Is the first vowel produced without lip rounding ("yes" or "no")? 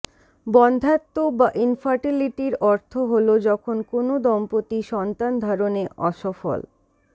no